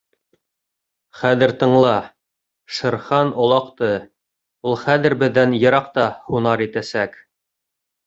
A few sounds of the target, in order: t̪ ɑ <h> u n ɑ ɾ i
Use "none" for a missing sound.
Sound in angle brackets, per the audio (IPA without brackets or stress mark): h